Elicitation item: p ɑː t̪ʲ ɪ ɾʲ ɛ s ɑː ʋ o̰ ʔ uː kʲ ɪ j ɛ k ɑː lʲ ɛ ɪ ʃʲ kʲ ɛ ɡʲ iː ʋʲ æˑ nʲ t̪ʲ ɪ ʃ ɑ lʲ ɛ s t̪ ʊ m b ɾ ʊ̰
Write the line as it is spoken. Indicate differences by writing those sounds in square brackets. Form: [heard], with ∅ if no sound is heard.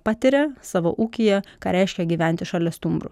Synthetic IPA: p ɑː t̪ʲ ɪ ɾʲ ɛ s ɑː ʋ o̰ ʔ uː kʲ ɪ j ɛ k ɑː [ɾʲ] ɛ ɪ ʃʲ kʲ ɛ ɡʲ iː ʋʲ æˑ nʲ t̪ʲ ɪ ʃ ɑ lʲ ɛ s t̪ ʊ m b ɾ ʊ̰